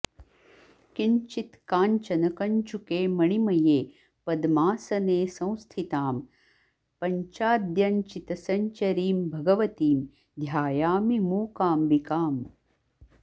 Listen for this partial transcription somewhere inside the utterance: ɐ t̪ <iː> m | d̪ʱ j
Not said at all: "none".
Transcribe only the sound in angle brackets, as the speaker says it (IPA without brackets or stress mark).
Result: iː